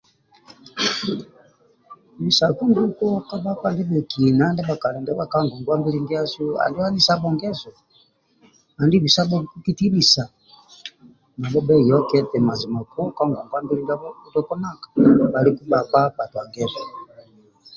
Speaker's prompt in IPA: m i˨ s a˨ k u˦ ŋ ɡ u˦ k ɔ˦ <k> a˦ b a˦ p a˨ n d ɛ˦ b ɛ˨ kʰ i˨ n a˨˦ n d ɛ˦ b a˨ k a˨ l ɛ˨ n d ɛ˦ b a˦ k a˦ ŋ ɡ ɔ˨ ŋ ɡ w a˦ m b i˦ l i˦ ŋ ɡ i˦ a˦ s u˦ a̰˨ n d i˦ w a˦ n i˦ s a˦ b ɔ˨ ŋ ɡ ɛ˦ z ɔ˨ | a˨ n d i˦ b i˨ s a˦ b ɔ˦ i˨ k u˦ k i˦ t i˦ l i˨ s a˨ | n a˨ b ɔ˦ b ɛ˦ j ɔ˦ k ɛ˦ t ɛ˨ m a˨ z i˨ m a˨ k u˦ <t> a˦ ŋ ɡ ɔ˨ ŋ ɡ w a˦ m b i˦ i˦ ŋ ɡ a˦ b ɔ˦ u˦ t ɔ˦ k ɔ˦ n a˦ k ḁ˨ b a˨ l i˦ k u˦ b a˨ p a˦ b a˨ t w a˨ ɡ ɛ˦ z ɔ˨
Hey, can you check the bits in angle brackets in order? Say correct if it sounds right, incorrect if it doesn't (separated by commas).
correct, incorrect